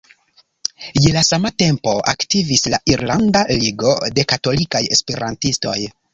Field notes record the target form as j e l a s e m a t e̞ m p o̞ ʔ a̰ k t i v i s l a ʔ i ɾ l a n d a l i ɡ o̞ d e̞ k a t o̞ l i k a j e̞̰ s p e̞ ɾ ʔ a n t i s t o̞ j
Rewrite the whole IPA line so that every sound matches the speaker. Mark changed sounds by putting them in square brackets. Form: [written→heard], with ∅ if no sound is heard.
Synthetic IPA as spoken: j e l a s [e→a] m a t e̞ m p o̞ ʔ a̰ k t i v i s l a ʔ i ɾ l a n d a l i ɡ o̞ d e̞ k a t o̞ l i k a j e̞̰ s p e̞ ɾ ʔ a n t i s t o̞ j